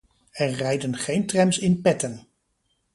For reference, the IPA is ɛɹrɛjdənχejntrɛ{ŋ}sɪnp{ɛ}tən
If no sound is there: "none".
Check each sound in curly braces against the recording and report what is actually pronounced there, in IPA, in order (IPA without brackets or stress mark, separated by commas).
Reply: m, ɛ